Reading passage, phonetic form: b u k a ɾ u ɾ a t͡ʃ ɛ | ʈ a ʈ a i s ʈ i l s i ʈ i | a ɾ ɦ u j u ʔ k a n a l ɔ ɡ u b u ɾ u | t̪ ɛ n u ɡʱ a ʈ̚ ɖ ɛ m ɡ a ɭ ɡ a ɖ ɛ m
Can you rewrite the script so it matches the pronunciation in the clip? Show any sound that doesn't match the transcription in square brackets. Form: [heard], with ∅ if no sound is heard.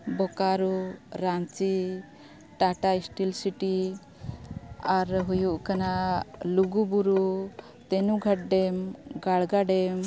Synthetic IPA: b [ɔ] k a ɾ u ɾ a t͡ʃ [i] | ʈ a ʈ a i s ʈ i l s i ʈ i | a ɾ ɦ u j u ʔ k a n a l [u] ɡ u b u ɾ u | t̪ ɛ n u ɡʱ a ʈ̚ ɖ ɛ m ɡ a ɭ ɡ a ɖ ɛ m